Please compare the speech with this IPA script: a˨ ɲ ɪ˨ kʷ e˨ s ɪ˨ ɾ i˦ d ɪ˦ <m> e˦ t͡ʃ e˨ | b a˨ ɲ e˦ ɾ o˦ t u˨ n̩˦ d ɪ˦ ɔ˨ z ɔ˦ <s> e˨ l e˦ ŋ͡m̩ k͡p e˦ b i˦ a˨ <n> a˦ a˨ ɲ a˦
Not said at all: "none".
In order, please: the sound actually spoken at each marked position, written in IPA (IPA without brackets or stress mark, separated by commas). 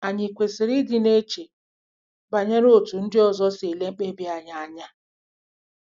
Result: n, s, ɲ